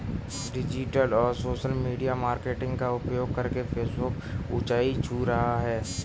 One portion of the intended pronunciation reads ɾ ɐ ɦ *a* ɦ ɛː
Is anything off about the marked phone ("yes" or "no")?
no